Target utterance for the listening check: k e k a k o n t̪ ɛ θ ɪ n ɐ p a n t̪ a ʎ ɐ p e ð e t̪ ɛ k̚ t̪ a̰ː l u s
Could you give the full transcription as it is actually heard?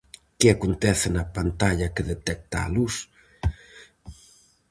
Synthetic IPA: k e a k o n t̪ ɛ θ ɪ n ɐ p a n t̪ a ʎ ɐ k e ð e t̪ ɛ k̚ t̪ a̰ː l u s